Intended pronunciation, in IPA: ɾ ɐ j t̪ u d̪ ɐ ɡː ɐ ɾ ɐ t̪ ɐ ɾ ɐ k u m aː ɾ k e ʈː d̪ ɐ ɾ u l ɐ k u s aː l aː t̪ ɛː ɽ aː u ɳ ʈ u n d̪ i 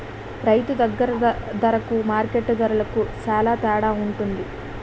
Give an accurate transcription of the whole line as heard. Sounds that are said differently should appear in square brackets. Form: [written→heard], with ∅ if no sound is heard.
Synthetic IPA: ɾ ɐ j t̪ u d̪ ɐ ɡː ɐ ɾ ɐ [t̪→d̪] ɐ ɾ ɐ k u m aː ɾ k e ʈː d̪ ɐ ɾ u l ɐ k u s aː l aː t̪ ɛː ɽ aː u ɳ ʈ u n d̪ i